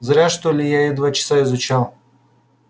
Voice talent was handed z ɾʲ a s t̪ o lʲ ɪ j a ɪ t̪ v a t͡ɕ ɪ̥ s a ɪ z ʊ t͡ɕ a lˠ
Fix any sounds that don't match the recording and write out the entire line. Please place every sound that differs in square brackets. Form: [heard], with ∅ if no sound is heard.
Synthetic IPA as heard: z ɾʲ a [ʂ] t̪ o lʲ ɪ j a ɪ [d̪] v a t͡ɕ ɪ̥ s a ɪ z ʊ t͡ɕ a lˠ